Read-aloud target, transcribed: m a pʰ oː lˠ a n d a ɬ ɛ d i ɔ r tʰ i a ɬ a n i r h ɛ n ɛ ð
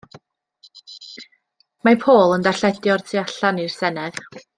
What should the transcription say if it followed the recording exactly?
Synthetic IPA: m a pʰ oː lˠ ə n d a ɬ ɛ d j ɔ r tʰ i a ɬ a n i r s ɛ n ɛ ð